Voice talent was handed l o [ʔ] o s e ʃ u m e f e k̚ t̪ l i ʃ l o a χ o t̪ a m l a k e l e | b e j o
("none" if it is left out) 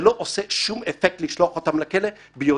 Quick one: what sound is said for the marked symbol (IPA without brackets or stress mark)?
ʔ